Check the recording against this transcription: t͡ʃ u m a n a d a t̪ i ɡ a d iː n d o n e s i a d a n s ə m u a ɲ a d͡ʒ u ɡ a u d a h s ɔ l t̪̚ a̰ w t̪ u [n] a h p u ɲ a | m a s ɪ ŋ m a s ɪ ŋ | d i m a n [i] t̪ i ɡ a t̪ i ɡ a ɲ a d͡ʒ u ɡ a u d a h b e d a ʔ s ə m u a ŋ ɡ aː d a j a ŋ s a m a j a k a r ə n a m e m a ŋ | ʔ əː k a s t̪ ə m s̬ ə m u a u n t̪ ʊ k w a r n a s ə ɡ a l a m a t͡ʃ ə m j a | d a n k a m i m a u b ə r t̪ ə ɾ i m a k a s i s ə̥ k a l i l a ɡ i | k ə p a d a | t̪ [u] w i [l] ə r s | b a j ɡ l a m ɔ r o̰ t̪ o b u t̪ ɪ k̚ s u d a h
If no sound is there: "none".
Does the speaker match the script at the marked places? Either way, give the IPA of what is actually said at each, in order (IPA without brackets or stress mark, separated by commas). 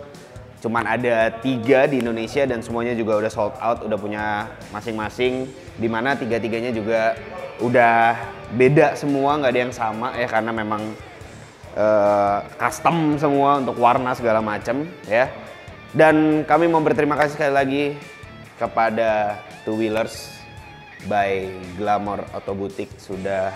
d, a, u, l